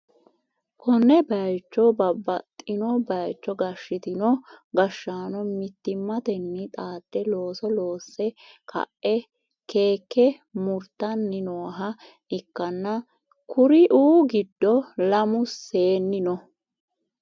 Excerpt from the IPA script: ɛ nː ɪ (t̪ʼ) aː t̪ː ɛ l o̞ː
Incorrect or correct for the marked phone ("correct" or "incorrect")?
correct